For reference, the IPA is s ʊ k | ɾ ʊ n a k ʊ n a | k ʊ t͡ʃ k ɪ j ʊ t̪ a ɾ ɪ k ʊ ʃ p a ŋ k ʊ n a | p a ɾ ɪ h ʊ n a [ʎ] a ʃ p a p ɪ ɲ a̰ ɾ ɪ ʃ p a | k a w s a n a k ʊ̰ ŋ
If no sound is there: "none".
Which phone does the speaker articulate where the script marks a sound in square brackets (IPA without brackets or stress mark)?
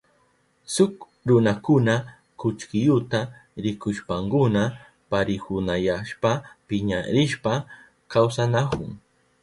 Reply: j